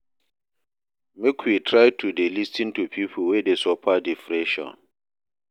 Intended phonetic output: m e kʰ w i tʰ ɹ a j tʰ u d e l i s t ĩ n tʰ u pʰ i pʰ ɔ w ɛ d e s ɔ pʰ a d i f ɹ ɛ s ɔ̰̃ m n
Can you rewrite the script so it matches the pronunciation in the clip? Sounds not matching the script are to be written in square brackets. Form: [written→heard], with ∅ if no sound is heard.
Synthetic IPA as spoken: m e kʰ w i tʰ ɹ a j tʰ u d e l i s t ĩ n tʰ u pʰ i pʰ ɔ w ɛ d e s ɔ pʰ a d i f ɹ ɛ [s→ʃ] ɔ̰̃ [m→∅] n

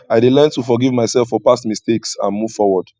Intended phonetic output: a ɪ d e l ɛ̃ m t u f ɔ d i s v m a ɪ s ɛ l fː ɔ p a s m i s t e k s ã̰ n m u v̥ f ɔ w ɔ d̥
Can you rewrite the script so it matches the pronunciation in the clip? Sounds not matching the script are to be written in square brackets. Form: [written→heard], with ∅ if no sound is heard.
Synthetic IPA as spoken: a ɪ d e l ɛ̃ [m→n] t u f ɔ [d→ɡ] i [s→∅] v m a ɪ s ɛ l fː ɔ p a s m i s t e k s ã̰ n m u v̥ f ɔ w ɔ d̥

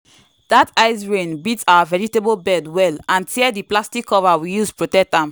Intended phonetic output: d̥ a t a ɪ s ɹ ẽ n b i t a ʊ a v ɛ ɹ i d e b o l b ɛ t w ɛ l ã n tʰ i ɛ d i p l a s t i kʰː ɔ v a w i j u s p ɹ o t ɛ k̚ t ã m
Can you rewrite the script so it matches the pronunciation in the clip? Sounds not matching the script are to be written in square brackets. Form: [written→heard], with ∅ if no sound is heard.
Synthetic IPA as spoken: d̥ a t a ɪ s ɹ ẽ n b i t a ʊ a v ɛ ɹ i [d→t] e b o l b ɛ [t→d] w ɛ l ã n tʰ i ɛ d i p l a s t i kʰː ɔ v a w i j u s p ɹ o t ɛ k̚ t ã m

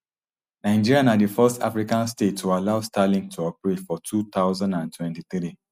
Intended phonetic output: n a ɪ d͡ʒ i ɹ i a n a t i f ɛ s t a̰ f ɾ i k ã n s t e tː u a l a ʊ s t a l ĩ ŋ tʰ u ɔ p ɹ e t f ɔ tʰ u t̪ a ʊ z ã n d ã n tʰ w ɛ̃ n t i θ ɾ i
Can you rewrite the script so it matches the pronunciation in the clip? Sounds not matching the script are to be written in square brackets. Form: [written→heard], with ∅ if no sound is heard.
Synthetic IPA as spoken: n a ɪ d͡ʒ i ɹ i a n a [t→d] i f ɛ s t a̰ f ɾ i k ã n s t e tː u a l a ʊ s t a l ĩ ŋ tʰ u ɔ p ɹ e t f ɔ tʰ u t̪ a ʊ z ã n d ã n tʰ w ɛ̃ n t i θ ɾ i

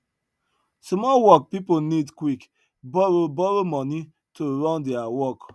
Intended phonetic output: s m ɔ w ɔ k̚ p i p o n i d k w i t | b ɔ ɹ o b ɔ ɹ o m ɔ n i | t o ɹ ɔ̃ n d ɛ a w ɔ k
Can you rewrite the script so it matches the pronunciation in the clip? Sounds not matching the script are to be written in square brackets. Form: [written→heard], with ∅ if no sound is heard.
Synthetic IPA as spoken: s m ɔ w ɔ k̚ p i p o n i d k w i [t→k] | b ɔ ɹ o b ɔ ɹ o m ɔ n i | t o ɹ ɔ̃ n d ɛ a w ɔ k

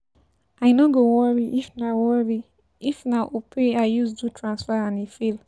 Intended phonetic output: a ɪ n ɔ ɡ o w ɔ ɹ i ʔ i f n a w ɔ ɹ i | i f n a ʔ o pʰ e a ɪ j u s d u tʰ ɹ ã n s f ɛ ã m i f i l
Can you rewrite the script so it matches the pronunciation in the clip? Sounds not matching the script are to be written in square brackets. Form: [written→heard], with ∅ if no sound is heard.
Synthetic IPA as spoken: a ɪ n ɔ ɡ o w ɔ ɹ i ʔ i f n a w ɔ ɹ i | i f n a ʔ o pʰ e a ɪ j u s d u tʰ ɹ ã n s f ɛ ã [m→n] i f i l

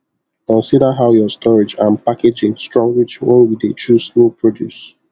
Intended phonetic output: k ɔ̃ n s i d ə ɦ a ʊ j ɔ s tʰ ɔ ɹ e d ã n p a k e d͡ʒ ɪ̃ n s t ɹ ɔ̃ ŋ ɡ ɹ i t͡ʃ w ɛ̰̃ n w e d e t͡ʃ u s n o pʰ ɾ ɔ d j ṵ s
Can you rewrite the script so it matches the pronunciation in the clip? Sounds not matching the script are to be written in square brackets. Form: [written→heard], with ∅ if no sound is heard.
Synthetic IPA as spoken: k ɔ̃ n s i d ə ɦ a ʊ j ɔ s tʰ ɔ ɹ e [d→d͡ʒ] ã n p a k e d͡ʒ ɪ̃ [n→ŋ] s t ɹ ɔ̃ ŋ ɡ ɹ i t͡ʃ w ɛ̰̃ n w [e→i] d e t͡ʃ u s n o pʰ [ɾ→ɹ] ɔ d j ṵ s

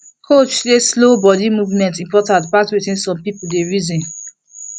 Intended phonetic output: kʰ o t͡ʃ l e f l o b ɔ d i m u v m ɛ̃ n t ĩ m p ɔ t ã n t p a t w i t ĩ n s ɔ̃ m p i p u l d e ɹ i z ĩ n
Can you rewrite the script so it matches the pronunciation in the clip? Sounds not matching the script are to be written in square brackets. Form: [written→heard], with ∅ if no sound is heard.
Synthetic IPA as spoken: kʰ o t͡ʃ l e [f→s] l o b ɔ d i m u v m ɛ̃ n t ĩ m p ɔ t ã n t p a t w i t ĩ n s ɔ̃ m p i p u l d e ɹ i z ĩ n

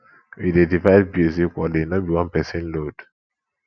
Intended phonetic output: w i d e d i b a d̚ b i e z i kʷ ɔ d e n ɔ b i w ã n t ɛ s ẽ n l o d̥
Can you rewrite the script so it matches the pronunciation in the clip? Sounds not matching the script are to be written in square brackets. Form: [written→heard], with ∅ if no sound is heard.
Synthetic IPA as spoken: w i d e d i [b→v] a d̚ b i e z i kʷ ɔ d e n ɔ b i w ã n [t→p] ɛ s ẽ n l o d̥

